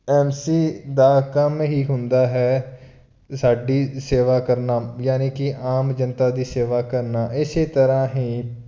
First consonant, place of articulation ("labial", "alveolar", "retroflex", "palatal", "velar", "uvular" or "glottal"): labial